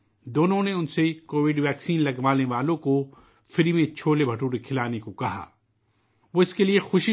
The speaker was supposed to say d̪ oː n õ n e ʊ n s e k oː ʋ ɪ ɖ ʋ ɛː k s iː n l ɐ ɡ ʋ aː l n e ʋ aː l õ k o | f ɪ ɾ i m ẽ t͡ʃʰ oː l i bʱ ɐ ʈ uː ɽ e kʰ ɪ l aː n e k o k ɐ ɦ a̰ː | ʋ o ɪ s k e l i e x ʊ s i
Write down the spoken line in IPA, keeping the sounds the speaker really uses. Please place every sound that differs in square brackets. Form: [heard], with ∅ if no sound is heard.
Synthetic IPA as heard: d̪ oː n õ n e ʊ n s e k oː ʋ ɪ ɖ ʋ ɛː k s iː n l ɐ ɡ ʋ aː l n e ʋ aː l õ k o | f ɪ ɾ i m ẽ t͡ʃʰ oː l [e] bʱ ɐ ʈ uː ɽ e kʰ ɪ l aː n e k o k ɐ ɦ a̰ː | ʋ o ɪ s k e l i e x ʊ [ʃ] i

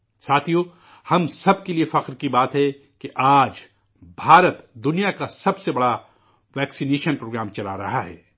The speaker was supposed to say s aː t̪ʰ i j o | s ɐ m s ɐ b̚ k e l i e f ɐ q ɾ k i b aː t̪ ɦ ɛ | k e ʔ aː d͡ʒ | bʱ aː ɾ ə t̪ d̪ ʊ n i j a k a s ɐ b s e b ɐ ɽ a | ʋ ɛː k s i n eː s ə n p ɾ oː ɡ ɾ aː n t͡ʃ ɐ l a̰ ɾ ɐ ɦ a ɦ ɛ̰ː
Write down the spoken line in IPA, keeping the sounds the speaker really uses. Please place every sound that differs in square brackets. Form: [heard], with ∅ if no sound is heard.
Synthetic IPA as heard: s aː t̪ʰ i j o | [h] ɐ m s ɐ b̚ k e l i e f ɐ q ɾ k i b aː t̪ ɦ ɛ | k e ʔ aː d͡ʒ | bʱ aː ɾ ə t̪ d̪ ʊ n i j a k a s ɐ b s e b ɐ ɽ a | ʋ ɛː k s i n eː [ʃ] ə n p ɾ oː ɡ ɾ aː [m] t͡ʃ ɐ l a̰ ɾ ɐ ɦ a ɦ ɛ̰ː

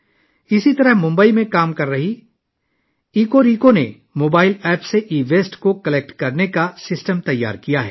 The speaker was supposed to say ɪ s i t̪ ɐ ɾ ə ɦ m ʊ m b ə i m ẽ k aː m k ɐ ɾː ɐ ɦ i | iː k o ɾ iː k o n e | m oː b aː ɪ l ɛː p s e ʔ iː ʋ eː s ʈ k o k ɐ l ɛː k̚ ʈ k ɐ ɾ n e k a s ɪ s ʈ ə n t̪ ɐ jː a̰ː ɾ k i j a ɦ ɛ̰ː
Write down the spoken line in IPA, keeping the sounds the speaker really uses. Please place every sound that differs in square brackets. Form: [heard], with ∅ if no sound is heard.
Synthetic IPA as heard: ɪ s i t̪ ɐ ɾ ə ɦ m [ʊ̃] m b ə i m ẽ k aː m k ɐ ɾː ɐ ɦ i | iː k o ɾ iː k o n e | m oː b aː ɪ l ɛː p s e ʔ iː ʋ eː s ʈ k o k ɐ l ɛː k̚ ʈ k ɐ ɾ n e k a s ɪ s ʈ ə [m] t̪ ɐ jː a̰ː ɾ k i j a ɦ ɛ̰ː

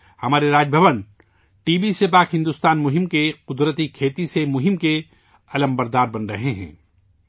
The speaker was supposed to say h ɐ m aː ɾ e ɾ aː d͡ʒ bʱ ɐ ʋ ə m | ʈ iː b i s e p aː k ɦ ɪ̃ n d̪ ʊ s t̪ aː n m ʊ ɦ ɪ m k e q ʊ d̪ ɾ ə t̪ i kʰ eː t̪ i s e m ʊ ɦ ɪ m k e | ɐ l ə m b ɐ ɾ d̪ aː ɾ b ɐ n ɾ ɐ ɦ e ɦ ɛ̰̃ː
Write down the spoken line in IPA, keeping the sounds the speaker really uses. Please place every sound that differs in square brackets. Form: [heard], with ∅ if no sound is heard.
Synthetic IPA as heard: h ɐ m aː ɾ e ɾ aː d͡ʒ bʱ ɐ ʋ ə [n] | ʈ iː b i s e p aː k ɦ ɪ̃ n d̪ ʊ s t̪ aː n m ʊ ɦ ɪ m k e q ʊ d̪ ɾ ə t̪ i kʰ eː t̪ i s e m ʊ ɦ ɪ m k e | ɐ l ə m b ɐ ɾ d̪ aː ɾ b ɐ n ɾ ɐ ɦ e ɦ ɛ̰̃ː

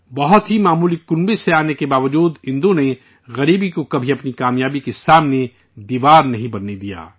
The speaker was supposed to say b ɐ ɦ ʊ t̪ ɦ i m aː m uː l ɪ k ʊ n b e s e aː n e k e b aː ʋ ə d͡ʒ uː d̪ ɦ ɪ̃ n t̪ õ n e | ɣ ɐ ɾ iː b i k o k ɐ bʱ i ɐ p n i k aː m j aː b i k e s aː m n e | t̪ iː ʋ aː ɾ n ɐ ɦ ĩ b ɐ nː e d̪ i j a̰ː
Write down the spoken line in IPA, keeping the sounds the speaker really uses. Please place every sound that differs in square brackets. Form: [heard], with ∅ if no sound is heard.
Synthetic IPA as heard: b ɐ ɦ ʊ t̪ ɦ i m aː m uː l [i] k ʊ n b e s e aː n e k e b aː ʋ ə d͡ʒ uː d̪ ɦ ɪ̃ n [d̪] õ n e | ɣ ɐ ɾ iː b i k o k ɐ bʱ i ɐ p n i k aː m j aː b i k e s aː m n e | [d̪] iː ʋ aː ɾ n ɐ ɦ ĩ b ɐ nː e d̪ i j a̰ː

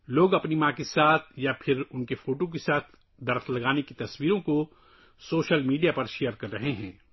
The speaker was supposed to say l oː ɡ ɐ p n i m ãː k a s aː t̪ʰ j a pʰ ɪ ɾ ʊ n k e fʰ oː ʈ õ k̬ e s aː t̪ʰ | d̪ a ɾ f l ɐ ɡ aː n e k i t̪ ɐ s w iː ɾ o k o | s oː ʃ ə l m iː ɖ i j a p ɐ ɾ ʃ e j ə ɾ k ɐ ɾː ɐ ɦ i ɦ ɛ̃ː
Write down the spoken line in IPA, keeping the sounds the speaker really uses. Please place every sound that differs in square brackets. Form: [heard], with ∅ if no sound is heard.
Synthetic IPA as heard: l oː ɡ ɐ p n i m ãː k [e] s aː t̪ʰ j a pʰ ɪ ɾ ʊ n k e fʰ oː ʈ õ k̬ e s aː t̪ʰ | d̪ [ɐ] ɾ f l ɐ ɡ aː n e k i t̪ ɐ s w iː ɾ [õ] k o | s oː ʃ ə l m iː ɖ i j a p ɐ ɾ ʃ e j ə ɾ k ɐ ɾː ɐ ɦ [e] ɦ ɛ̃ː

